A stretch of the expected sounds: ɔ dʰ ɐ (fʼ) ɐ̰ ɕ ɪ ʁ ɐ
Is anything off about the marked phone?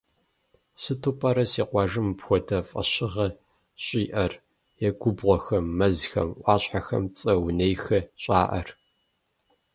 no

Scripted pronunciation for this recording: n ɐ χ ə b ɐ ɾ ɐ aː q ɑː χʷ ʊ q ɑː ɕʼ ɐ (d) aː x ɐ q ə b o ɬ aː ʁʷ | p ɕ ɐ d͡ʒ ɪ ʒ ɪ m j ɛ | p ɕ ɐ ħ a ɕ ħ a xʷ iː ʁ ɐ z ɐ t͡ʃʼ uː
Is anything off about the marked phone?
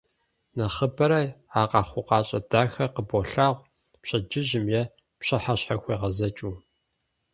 no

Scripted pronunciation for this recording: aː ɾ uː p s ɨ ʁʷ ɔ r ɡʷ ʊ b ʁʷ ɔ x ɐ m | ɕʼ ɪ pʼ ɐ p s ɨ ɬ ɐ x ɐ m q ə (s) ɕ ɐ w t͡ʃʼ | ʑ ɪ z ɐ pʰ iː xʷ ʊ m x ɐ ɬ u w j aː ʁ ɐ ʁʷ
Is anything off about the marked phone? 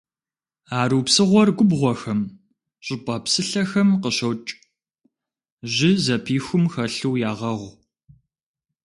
yes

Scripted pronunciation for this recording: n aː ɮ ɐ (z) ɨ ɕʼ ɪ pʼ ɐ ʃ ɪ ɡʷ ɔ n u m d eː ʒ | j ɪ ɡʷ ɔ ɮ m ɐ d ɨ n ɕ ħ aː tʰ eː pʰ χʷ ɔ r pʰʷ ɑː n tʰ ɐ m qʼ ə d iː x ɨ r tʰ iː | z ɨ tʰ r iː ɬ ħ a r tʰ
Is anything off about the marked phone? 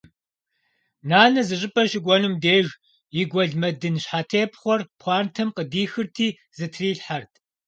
no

